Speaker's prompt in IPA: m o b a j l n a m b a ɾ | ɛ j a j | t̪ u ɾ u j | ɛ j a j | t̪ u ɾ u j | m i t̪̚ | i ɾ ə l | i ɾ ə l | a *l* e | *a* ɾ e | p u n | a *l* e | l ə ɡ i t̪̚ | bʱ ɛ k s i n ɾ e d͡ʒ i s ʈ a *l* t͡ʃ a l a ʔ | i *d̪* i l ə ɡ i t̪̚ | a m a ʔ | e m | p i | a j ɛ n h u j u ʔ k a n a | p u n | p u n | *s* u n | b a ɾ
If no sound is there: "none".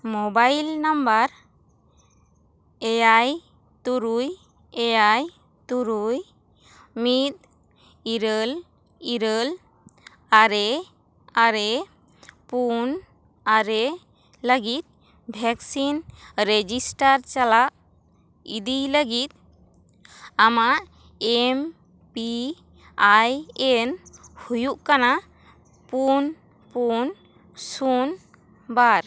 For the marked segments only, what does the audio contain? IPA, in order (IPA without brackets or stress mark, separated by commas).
ɾ, a, ɾ, ɾ, d̪, s